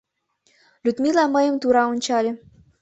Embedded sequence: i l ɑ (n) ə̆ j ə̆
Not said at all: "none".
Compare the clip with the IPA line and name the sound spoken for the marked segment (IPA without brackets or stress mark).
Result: m